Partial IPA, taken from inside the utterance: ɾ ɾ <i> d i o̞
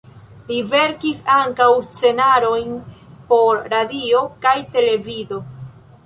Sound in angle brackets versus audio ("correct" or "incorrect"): incorrect